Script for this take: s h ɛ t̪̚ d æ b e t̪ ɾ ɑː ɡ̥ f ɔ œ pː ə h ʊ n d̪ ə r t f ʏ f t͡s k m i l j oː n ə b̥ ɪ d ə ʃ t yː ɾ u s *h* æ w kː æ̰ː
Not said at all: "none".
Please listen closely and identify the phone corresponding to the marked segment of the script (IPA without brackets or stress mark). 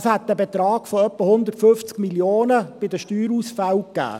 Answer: f